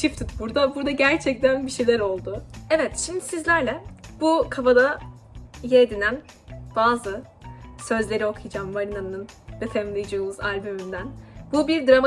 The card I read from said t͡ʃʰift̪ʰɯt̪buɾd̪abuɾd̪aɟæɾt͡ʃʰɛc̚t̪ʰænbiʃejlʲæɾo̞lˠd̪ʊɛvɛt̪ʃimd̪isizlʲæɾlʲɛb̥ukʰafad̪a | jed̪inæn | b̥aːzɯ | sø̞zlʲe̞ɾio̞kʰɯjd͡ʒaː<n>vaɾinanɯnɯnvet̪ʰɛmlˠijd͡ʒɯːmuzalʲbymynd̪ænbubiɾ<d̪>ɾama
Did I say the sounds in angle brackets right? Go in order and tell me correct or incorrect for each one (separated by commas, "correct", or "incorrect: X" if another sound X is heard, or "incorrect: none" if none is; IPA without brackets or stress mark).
incorrect: m, correct